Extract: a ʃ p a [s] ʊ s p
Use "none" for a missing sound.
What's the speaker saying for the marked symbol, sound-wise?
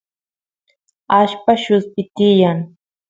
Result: ʃ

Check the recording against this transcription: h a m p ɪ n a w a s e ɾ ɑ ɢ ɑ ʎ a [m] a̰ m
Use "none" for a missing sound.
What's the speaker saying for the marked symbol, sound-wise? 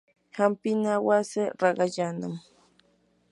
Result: n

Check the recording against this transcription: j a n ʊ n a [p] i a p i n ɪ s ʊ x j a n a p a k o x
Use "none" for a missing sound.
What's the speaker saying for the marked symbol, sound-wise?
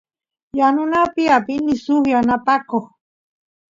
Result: p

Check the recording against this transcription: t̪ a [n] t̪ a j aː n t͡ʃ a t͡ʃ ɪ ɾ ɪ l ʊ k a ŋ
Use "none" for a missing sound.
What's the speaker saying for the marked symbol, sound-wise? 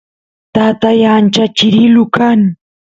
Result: none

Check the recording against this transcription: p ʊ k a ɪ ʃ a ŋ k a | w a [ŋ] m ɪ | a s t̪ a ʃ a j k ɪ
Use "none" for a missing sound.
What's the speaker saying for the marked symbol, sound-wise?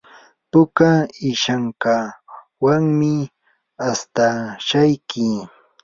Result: ŋ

